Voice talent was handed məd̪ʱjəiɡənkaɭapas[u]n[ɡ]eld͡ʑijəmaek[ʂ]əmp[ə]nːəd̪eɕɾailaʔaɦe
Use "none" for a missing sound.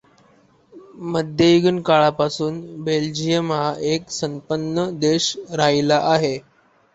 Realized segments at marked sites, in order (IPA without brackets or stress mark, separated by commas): uː, b, s, ə